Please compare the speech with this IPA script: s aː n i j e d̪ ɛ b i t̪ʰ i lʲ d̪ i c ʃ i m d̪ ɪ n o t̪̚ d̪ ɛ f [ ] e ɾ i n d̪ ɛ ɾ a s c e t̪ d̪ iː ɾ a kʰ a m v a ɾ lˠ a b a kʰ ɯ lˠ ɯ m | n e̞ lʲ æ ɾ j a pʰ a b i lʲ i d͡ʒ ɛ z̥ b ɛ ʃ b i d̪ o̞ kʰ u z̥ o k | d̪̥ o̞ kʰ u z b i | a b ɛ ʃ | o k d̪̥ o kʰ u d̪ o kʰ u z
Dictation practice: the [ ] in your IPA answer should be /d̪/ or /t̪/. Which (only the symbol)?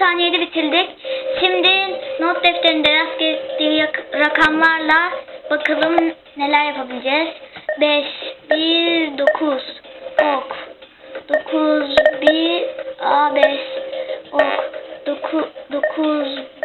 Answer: t̪